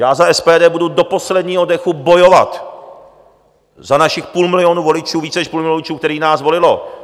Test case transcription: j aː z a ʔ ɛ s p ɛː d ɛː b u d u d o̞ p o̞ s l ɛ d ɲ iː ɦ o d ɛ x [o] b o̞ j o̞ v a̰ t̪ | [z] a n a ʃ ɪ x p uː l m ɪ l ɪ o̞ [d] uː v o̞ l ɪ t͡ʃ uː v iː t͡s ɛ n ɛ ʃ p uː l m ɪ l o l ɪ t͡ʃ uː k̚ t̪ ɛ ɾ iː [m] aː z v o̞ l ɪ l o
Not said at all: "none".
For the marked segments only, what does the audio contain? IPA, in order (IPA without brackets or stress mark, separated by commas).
u, z, n, n